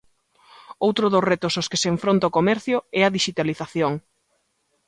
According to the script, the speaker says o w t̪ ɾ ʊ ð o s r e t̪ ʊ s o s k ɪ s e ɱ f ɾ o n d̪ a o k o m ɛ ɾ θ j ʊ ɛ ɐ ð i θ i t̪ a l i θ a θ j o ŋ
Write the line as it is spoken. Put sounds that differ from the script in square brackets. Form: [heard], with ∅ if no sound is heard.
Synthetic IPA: o w t̪ ɾ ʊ ð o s r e t̪ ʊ s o s k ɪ s e ɱ f ɾ o n [t̪] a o k o m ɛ ɾ θ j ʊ ɛ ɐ ð i [ʃ] i t̪ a l i θ a θ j o ŋ

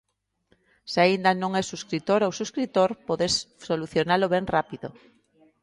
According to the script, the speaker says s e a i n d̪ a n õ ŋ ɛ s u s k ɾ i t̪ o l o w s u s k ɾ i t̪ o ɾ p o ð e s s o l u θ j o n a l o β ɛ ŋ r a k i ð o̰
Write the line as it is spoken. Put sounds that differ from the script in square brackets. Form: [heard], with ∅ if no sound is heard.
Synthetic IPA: s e a i n d̪ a n õ ŋ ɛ s u s k ɾ i t̪ o [ɾ] o w s u s k ɾ i t̪ o ɾ p o ð e s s o l u θ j o n a l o β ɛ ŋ r a [p] i ð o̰

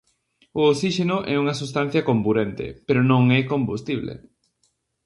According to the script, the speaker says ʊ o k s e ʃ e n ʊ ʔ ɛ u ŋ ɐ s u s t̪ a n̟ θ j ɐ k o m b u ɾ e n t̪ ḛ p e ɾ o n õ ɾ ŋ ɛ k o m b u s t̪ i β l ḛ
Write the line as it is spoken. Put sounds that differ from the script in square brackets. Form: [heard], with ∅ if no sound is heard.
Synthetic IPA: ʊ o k s [i] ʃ e n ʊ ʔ ɛ u ŋ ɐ s u s t̪ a n̟ θ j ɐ k o m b u ɾ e n t̪ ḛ p e ɾ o n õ [∅] ŋ ɛ k o m b u s t̪ i β l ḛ

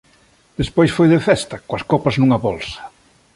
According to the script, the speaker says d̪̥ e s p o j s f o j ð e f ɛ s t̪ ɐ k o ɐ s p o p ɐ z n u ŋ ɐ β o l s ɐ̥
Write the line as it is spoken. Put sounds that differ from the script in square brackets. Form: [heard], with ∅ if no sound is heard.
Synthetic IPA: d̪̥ e s p o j s f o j ð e f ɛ s t̪ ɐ k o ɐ s [k] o p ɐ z n u ŋ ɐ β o l s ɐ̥

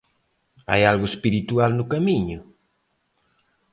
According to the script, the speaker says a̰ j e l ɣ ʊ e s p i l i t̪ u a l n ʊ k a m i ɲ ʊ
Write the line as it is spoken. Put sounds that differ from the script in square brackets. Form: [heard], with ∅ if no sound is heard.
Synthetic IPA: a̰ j [a] l ɣ ʊ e s p i [ɾ] i t̪ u a l n ʊ k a m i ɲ ʊ

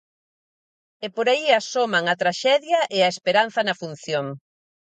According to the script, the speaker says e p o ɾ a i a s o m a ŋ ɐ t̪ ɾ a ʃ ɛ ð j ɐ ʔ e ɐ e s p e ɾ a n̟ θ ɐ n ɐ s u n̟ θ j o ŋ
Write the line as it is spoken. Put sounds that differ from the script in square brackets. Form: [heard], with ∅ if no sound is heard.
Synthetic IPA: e p o ɾ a i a s o m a ŋ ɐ t̪ ɾ a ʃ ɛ ð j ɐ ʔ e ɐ e s p e ɾ a n̟ θ ɐ n ɐ [f] u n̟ θ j o ŋ

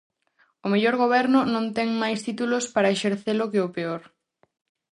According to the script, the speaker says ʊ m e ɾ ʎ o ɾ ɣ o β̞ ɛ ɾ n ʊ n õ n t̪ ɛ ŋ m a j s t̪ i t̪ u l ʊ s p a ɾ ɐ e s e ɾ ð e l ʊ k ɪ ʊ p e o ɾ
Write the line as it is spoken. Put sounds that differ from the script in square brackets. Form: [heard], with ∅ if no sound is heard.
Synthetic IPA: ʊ m e [∅] ʎ o ɾ ɣ o β̞ ɛ ɾ n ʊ n õ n t̪ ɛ ŋ m a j s t̪ i t̪ u l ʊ s p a ɾ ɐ e [ʃ] e ɾ [θ] e l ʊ k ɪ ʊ p e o ɾ

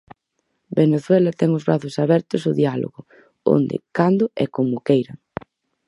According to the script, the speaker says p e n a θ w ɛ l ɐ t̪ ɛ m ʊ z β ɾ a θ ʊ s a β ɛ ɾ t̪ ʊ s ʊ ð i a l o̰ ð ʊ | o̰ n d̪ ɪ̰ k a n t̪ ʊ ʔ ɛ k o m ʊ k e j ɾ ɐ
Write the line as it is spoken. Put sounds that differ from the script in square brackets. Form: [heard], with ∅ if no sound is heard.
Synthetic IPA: [b] e n [e] θ w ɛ l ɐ t̪ ɛ [ŋ] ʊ z β ɾ a θ ʊ s a β ɛ ɾ t̪ ʊ s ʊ ð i a l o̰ [ɣ] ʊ | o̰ n d̪ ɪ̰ k a n [d̪] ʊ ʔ ɛ k o m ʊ k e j ɾ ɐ

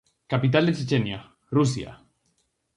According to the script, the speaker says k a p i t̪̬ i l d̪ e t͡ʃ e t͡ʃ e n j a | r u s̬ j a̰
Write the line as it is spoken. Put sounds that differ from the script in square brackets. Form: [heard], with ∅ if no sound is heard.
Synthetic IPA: k a p i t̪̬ [a] l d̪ e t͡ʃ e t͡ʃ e n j a | r u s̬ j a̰

